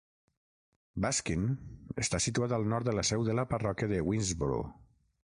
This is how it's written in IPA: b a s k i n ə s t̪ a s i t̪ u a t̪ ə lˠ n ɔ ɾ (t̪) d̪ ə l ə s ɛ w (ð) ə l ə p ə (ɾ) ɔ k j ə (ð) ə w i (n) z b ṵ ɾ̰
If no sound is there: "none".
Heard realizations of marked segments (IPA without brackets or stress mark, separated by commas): t̪, ð, r, ð, n